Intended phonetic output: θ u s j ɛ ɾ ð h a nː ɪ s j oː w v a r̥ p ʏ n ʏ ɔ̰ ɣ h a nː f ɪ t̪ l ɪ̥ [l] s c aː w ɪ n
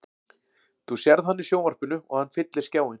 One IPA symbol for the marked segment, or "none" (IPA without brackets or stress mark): none